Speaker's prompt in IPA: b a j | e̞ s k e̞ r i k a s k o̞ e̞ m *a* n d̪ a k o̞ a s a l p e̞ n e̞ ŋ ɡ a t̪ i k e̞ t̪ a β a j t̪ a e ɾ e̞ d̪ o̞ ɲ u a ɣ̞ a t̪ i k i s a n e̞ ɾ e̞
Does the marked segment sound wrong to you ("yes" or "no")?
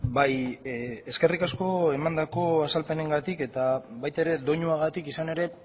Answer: no